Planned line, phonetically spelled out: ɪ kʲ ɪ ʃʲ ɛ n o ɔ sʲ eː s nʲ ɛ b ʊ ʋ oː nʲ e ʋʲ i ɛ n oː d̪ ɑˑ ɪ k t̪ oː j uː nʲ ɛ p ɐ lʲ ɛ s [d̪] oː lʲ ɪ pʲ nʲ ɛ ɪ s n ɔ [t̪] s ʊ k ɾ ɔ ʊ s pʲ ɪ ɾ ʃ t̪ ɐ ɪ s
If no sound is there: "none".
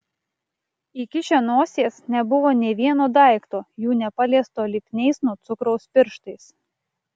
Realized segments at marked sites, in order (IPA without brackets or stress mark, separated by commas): t̪, t̪